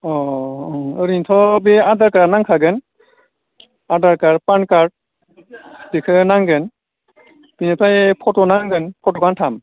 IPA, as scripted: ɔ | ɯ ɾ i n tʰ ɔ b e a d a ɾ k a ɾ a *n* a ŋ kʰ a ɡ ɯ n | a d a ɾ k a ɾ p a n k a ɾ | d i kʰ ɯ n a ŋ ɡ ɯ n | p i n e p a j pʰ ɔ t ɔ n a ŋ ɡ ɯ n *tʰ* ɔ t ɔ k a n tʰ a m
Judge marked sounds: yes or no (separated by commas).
yes, no